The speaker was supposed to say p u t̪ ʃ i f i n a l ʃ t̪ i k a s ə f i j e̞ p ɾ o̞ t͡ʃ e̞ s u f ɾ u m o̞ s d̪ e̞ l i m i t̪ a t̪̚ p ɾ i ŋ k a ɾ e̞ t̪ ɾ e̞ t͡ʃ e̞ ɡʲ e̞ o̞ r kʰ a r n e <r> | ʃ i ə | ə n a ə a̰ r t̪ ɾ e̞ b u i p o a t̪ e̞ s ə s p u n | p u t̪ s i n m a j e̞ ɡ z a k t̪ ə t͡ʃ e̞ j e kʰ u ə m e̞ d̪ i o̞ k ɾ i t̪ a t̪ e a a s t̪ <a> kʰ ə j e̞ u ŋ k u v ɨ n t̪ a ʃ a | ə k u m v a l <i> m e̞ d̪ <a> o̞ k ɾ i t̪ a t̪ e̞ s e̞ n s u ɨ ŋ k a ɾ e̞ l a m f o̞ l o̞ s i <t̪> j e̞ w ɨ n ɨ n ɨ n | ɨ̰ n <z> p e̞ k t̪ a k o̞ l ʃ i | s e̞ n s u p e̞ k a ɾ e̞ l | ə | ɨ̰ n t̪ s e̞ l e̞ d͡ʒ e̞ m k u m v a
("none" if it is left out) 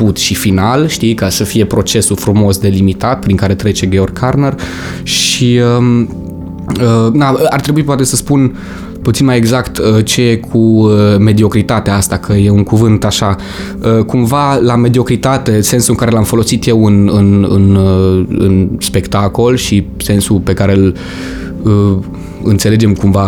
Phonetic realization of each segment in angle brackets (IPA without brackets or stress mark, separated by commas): r, a, a, i, t̪, s